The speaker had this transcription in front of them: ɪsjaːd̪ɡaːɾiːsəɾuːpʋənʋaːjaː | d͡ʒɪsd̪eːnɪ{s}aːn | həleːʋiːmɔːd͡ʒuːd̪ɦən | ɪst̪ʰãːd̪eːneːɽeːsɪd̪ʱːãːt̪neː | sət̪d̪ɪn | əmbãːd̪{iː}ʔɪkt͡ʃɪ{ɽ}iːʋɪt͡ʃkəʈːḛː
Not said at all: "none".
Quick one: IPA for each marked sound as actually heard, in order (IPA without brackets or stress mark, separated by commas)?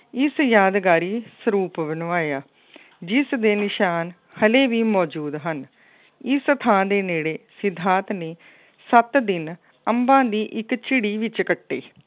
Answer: ʃ, iː, ɽ